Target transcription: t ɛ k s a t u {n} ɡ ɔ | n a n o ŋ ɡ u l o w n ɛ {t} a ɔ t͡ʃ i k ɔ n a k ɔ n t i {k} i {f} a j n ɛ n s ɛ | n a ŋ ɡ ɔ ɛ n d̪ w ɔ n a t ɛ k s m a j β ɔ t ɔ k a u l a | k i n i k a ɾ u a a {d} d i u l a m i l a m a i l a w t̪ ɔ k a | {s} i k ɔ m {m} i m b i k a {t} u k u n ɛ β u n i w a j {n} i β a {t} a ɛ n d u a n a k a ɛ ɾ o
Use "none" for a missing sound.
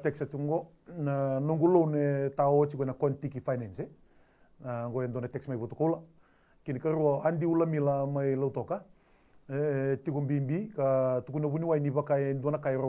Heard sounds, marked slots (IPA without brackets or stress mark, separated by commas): ŋ, t, k, f, n, t, b, t, n, k